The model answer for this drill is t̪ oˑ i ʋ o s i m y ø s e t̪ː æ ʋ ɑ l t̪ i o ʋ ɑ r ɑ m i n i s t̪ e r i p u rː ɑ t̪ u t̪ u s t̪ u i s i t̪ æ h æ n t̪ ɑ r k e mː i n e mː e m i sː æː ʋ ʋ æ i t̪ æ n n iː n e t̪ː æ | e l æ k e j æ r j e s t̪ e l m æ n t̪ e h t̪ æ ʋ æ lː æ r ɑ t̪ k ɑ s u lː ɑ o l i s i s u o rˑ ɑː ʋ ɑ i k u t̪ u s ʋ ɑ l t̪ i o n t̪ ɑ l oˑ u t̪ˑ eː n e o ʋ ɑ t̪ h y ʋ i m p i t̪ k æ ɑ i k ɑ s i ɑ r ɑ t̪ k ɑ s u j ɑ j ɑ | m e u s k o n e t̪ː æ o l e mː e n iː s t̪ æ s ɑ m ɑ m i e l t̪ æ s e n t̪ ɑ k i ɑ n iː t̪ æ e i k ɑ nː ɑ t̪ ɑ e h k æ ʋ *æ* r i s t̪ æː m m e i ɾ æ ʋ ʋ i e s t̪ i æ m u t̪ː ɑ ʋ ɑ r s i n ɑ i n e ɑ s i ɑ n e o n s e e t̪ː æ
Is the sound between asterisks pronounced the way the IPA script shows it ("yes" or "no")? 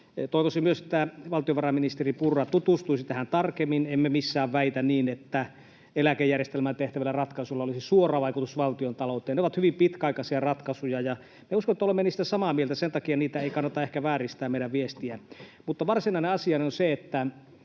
no